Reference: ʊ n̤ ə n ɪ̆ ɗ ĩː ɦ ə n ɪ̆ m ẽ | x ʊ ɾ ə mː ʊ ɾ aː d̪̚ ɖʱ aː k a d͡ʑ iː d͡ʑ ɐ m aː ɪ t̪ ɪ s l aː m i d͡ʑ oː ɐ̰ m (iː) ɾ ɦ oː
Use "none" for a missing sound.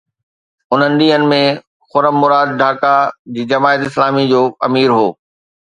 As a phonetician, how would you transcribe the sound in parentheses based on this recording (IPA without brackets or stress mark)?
iː